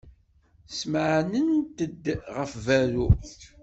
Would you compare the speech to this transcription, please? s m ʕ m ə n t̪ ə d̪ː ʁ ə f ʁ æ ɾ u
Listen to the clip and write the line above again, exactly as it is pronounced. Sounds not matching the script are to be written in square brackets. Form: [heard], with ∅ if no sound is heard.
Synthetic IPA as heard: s m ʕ [n] ə n t̪ ə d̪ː ʁ ə f [v] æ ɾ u